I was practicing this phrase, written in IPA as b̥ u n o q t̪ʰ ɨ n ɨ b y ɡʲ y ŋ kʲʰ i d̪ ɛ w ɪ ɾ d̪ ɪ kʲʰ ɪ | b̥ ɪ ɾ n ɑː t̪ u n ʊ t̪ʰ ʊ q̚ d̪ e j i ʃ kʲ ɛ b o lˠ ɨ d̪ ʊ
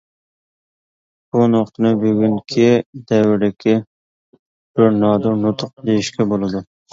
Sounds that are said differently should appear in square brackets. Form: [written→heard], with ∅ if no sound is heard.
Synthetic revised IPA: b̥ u n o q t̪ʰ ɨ n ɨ b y ɡʲ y ŋ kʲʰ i d̪ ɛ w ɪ ɾ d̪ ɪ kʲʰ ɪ | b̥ ɪ ɾ n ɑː [t̪→d̪] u n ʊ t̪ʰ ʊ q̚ d̪ e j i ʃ kʲ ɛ b o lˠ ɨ d̪ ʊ